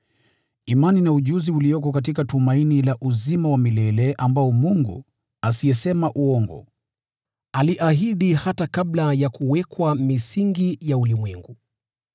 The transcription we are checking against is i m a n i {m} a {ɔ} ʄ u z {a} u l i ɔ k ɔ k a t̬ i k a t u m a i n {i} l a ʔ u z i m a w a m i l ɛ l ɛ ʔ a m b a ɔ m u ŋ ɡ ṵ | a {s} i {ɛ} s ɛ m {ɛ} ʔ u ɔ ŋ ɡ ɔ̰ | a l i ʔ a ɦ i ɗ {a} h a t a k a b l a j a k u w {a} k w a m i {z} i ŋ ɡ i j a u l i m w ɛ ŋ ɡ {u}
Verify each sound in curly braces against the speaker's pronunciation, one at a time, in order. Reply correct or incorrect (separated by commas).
incorrect, incorrect, incorrect, correct, correct, correct, incorrect, incorrect, incorrect, incorrect, correct